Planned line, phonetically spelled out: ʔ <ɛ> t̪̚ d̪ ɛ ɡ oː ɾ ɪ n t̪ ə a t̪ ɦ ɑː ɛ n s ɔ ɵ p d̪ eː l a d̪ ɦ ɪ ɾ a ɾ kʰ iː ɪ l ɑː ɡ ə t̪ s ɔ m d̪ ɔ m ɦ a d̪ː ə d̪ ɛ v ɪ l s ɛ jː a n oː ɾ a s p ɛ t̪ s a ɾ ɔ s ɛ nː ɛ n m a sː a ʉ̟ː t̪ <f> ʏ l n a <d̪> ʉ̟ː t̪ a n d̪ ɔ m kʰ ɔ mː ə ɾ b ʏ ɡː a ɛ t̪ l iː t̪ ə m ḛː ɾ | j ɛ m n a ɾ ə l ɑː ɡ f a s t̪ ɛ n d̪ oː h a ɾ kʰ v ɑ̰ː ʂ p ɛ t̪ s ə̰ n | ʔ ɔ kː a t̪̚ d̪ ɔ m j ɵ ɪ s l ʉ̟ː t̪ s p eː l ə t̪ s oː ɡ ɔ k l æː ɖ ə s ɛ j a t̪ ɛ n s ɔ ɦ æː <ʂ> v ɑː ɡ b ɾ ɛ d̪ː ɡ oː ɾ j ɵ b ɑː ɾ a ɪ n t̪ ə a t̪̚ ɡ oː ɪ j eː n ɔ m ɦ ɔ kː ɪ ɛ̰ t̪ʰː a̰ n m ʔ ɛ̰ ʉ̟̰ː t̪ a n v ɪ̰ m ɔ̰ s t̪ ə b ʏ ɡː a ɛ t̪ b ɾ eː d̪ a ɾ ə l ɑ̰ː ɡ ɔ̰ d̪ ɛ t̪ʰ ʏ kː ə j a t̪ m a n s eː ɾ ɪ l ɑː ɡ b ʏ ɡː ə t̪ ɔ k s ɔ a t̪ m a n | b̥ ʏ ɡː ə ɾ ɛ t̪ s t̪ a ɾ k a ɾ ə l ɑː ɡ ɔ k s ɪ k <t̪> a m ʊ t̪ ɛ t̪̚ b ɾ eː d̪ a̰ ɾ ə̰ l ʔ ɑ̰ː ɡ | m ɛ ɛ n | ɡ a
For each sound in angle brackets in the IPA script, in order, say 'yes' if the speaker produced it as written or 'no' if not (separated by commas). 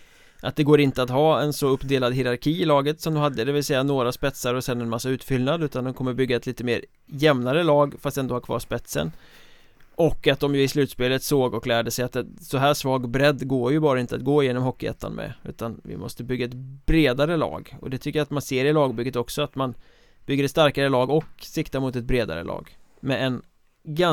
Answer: no, yes, yes, yes, yes